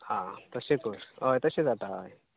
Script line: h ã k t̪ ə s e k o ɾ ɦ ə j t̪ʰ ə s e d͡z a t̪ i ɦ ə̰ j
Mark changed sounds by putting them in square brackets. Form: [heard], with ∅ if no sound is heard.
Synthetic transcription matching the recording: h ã [∅] t̪ ə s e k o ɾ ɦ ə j [t̪] ə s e d͡z a t̪ [a] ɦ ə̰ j